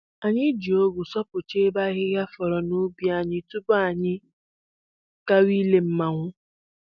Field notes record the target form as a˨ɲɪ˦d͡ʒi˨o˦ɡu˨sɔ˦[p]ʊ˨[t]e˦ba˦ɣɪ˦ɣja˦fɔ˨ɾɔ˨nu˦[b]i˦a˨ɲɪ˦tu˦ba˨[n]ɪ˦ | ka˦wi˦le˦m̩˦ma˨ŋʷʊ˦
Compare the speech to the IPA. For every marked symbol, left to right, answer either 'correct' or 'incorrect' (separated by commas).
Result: correct, incorrect, correct, incorrect